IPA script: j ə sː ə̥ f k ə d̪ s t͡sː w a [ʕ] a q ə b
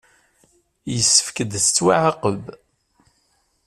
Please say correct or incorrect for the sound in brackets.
correct